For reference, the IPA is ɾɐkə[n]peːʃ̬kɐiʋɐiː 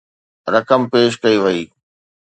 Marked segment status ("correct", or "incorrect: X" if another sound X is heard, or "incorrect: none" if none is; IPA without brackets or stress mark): incorrect: m